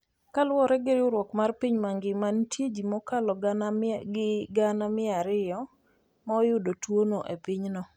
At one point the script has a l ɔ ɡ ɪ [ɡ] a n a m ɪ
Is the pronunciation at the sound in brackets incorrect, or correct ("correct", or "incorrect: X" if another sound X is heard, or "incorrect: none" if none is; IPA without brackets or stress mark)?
correct